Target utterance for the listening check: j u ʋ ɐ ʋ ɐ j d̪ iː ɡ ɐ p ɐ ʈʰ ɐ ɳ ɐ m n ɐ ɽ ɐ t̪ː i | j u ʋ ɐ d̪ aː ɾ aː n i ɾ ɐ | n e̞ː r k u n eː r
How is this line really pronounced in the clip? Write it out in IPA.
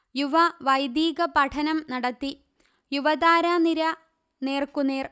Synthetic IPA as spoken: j u ʋ ɐ ʋ ɐ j d̪ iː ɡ ɐ p ɐ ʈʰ ɐ n ɐ m n ɐ ɽ ɐ t̪ː i | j u ʋ ɐ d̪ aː ɾ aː n i ɾ ɐ | n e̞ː r k u n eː r